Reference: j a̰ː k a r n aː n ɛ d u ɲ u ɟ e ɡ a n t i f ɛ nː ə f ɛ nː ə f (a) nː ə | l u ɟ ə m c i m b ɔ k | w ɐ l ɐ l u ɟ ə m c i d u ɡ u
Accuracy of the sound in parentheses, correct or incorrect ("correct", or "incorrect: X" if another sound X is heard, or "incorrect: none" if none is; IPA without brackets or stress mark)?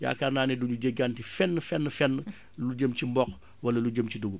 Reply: incorrect: ɛ